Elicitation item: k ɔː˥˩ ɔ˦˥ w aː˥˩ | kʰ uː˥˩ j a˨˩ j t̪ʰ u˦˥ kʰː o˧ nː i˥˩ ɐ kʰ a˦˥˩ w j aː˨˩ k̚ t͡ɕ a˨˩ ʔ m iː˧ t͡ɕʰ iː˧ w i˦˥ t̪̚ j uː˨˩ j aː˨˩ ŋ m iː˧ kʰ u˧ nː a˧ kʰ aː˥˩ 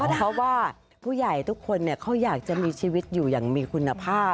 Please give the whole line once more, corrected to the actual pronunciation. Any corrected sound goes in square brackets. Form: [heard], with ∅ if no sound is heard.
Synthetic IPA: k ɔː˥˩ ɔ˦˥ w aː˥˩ | [pʰ] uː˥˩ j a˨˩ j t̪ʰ u˦˥ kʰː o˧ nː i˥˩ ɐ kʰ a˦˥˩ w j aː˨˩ k̚ t͡ɕ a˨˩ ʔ m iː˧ t͡ɕʰ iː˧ w i˦˥ t̪̚ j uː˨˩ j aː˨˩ ŋ m iː˧ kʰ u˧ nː a˧ [pʰ] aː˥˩